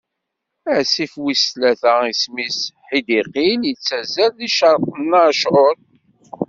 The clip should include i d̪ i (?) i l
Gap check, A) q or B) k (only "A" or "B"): A